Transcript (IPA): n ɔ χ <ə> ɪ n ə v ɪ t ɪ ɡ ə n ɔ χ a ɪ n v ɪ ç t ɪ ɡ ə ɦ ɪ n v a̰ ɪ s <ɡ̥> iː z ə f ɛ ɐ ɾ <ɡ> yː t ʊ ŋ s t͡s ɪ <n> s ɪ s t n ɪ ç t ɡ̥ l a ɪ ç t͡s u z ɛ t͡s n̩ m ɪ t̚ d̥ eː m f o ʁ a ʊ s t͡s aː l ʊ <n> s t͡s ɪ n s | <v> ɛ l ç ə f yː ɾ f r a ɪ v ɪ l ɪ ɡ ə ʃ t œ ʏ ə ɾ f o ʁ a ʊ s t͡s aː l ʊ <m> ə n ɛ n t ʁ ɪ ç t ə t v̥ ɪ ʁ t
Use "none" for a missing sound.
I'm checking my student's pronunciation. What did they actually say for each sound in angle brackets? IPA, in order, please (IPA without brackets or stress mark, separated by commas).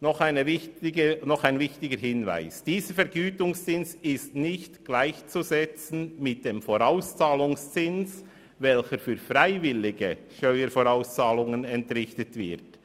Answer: a, d̥, ɡ, n, ŋ, v, ŋ